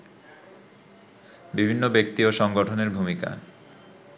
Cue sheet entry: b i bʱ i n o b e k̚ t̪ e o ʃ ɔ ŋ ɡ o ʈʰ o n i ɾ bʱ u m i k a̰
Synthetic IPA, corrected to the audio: b i bʱ i nː o b e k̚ t̪ i o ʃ ɔ ŋ ɡ o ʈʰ o n e ɾ bʱ u m i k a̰